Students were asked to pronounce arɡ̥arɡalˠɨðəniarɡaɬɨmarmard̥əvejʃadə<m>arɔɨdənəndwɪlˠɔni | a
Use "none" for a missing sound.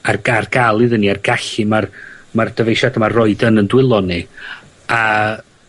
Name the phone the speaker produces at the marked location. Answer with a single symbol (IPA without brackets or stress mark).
m